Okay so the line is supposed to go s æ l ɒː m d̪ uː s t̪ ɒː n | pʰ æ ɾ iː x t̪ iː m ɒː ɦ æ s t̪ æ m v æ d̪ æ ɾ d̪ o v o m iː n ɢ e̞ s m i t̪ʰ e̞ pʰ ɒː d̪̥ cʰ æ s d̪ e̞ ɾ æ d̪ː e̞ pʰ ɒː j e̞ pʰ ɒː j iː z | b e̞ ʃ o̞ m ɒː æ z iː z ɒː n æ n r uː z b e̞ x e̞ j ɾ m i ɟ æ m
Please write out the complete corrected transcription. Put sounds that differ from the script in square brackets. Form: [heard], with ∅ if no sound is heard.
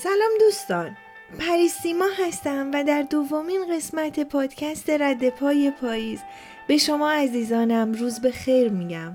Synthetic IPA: s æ l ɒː m d̪ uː s t̪ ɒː n | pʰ æ ɾ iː [s] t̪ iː m ɒː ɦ æ s t̪ æ m v æ d̪ æ ɾ d̪ o v o m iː n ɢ e̞ s m [æ] t̪ʰ e̞ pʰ ɒː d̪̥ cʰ æ s [t̪] e̞ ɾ æ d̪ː e̞ pʰ ɒː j e̞ pʰ ɒː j iː z | b e̞ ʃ o̞ m ɒː æ z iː z ɒː n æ [m] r uː z b e̞ x e̞ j ɾ m i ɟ æ m